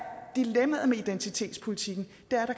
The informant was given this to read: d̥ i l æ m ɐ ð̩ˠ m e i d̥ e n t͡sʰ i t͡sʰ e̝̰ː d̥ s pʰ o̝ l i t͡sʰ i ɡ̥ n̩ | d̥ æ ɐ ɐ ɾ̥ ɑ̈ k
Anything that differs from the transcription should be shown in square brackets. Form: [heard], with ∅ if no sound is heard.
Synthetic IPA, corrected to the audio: d̥ i l [e] m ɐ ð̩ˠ m e i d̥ e n t͡sʰ i t͡sʰ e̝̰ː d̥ s pʰ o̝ l i t͡sʰ i ɡ̥ n̩ | d̥ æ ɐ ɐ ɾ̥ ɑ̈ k